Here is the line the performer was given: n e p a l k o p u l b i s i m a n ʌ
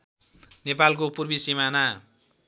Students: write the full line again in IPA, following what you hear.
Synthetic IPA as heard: n e p a l k o p u r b i s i m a n a